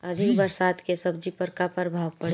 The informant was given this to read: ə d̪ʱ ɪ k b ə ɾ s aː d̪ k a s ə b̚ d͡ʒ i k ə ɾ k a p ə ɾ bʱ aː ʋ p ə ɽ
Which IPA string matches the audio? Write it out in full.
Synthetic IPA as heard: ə d̪ʱ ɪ k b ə ɾ s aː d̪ k e s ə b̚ d͡ʒ i p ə ɾ k a p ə ɾ bʱ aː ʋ p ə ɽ